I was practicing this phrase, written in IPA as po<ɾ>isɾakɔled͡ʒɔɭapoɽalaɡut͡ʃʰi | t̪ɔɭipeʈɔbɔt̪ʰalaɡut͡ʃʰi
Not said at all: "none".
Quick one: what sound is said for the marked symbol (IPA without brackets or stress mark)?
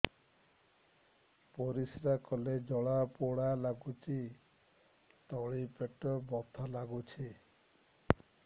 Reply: ɾ